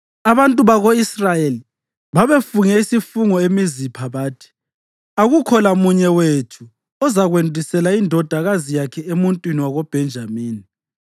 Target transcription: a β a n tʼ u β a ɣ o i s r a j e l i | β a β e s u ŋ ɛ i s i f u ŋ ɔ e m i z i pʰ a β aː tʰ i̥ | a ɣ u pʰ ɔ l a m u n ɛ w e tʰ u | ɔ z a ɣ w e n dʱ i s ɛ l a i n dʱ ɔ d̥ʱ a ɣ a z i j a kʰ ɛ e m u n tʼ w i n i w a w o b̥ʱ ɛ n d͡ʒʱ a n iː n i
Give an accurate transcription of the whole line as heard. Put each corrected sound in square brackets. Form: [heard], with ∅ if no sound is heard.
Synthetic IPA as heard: a β a n tʼ u β a ɣ o i s r a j e l i | β a β e [f] u ŋ ɛ i s i f u ŋ ɔ e m i z i pʰ a β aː tʰ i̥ | a ɣ u [kʰ] ɔ l a m u [ɲ] ɛ w e tʰ u | ɔ z a ɣ w e n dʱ i s ɛ l a i n dʱ ɔ d̥ʱ a ɣ a z i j a kʰ ɛ e m u n tʼ w i n i w a [ɣ] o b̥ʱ ɛ n d͡ʒʱ a [m] iː n i